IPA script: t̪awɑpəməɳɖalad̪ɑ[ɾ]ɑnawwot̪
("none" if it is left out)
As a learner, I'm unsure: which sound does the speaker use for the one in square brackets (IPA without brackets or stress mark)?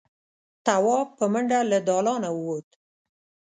l